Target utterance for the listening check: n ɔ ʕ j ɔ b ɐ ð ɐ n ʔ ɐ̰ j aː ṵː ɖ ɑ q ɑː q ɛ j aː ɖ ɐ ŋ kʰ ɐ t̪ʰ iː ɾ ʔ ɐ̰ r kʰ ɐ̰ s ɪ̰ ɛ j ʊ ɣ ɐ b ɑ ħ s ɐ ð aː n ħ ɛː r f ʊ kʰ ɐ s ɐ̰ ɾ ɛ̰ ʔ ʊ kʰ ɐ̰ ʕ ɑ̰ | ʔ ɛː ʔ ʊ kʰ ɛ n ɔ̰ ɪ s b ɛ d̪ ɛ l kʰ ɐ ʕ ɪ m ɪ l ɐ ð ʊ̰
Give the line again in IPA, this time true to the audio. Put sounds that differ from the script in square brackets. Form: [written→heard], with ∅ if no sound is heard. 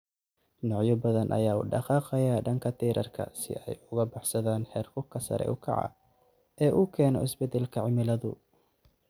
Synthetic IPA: n ɔ ʕ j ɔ b ɐ ð ɐ n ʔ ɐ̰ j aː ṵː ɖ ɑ q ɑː q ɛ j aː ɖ ɐ ŋ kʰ ɐ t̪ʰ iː ɾ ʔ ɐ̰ r kʰ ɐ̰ s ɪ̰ ɛ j ʊ ɣ ɐ b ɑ ħ s ɐ ð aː n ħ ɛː r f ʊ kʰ ɐ s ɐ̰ ɾ ɛ̰ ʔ ʊ kʰ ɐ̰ ʕ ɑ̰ | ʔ ɛː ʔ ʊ kʰ [ɛ→ɛː] n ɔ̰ ɪ s b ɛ d̪ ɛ l kʰ ɐ ʕ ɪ m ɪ l ɐ ð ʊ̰

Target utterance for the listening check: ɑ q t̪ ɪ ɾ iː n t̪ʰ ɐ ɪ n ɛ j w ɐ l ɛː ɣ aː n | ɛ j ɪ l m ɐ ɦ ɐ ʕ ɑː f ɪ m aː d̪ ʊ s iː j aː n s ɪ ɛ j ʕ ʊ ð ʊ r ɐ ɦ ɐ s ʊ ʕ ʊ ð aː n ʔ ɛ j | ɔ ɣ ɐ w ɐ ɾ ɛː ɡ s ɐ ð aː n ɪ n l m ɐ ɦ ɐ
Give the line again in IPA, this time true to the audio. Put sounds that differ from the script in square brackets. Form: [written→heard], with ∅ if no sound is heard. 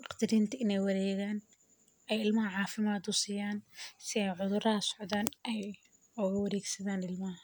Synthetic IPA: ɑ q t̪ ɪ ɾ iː n t̪ʰ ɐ ɪ n ɛ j w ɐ [l→ɾ] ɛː ɣ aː n | ɛ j ɪ l m ɐ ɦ ɐ ʕ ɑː f ɪ m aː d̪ ʊ s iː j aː n s ɪ ɛ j ʕ ʊ ð ʊ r ɐ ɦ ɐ s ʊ ʕ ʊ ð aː n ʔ ɛ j | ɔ ɣ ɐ w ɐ ɾ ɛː ɡ s ɐ ð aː n ɪ [n→∅] l m ɐ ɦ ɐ

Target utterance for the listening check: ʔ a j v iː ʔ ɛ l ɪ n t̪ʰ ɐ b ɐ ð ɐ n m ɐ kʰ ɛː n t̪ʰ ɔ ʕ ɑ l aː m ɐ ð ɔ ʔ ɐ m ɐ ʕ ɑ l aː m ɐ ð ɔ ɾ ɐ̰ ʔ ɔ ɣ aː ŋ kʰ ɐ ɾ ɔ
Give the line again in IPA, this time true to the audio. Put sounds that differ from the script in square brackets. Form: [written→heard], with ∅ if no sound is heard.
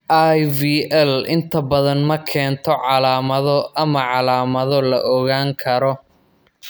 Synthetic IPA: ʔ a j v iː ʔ ɛ l ɪ n t̪ʰ ɐ b ɐ ð ɐ n m ɐ kʰ ɛː n t̪ʰ ɔ ʕ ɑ l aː m ɐ ð ɔ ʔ ɐ m ɐ ʕ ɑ l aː m ɐ ð ɔ [ɾ→l] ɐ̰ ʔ ɔ ɣ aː ŋ kʰ ɐ ɾ ɔ

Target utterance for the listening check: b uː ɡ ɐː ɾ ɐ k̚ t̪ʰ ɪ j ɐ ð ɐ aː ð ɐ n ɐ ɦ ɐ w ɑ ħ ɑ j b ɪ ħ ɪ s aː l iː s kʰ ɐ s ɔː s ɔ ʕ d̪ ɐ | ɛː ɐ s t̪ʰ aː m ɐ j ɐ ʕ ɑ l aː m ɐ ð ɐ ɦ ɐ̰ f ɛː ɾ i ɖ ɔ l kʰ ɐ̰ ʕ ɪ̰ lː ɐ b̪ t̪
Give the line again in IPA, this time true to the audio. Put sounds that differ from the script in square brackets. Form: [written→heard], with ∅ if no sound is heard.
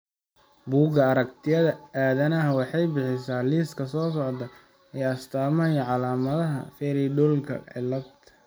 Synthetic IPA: b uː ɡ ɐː ɾ ɐ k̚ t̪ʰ ɪ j ɐ ð ɐ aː ð ɐ n ɐ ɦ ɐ w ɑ ħ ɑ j b ɪ ħ ɪ s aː l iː s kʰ ɐ s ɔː s ɔ ʕ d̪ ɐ | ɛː ɐ s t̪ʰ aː m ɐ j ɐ ʕ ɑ l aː m ɐ ð ɐ ɦ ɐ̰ f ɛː ɾ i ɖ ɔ l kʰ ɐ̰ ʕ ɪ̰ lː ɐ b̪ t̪

